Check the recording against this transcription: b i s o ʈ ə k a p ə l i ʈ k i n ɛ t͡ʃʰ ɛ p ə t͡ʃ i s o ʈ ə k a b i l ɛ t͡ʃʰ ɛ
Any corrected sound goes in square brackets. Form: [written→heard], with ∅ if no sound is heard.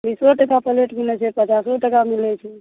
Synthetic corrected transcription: b i s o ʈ ə k a p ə l [i→e] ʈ k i n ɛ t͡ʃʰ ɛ p ə t͡ʃ [i→a] s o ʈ ə k a [b→m] i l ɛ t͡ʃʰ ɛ